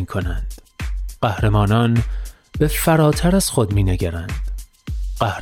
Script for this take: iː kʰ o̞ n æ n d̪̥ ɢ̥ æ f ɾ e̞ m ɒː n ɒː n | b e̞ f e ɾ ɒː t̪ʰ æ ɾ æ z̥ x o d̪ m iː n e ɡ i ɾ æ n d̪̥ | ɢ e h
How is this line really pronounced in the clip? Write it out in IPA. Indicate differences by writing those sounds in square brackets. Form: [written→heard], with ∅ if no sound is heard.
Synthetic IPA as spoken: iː kʰ o̞ n æ n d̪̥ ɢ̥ æ [f→h] ɾ e̞ m ɒː n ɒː n | b e̞ f [e→æ] ɾ ɒː t̪ʰ æ ɾ æ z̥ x o d̪ m iː n e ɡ [i→æ] ɾ æ n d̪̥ | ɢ [e→æ] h